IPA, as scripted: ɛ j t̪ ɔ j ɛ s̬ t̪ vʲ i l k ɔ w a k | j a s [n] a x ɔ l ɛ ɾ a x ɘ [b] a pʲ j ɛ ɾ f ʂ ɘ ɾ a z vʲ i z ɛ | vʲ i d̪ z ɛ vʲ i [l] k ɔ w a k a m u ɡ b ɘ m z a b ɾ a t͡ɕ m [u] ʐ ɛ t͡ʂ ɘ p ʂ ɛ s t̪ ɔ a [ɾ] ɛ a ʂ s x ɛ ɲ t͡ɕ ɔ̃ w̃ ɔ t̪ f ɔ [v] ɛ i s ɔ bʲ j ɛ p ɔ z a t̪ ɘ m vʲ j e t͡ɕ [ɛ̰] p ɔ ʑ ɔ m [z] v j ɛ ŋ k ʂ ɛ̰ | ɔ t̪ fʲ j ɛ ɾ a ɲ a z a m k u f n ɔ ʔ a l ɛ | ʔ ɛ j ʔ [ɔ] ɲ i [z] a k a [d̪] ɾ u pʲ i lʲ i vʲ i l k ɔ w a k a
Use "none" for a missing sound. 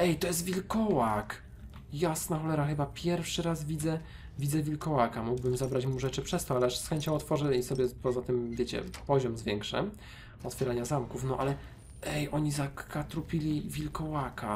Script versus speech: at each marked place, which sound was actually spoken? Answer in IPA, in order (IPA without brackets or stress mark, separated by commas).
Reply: n, b, l, u, l, ʐ, ɛ̰, z, ɔ, z, t̪